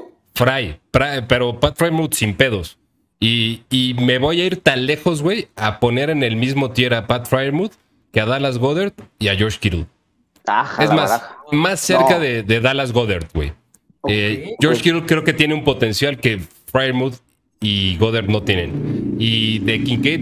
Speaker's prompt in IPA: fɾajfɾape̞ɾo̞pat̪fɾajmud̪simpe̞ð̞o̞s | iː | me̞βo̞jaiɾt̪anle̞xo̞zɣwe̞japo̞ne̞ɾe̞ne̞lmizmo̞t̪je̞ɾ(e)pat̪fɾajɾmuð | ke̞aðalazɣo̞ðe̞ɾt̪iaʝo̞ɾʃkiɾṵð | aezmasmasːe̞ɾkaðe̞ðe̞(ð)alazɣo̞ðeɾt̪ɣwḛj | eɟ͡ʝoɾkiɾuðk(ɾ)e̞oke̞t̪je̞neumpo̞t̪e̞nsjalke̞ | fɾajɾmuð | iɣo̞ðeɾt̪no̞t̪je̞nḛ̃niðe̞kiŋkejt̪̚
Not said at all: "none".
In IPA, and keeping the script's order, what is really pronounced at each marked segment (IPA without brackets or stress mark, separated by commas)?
a, ð, ɾ